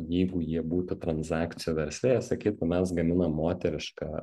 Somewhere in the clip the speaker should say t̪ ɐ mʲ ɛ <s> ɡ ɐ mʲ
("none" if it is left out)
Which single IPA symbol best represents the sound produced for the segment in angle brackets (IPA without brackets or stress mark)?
s